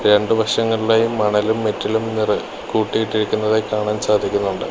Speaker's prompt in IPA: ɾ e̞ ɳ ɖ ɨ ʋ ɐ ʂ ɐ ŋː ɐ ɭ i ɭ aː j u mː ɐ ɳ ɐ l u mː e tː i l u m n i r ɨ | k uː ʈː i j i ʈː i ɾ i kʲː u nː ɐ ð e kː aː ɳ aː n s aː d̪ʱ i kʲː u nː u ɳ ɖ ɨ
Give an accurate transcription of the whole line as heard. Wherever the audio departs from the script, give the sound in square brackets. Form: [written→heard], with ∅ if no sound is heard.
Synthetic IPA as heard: ɾ e̞ ɳ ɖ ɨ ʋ ɐ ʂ ɐ ŋː ɐ ɭ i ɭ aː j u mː ɐ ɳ ɐ l u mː e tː i l u m n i r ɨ | k uː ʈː i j i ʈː i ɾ i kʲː u nː ɐ ð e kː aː ɳ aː n s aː d̪ʱ i kʲː u nː u ɳ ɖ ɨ